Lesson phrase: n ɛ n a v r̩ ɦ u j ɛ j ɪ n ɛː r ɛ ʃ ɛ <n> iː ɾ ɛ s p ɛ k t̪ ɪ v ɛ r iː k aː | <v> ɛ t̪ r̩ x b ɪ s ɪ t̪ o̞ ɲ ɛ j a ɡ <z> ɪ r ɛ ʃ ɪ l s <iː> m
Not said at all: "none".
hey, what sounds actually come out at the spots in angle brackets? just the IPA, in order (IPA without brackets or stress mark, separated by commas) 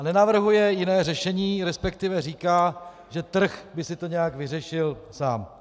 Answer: ɲ, ʒ, v, aː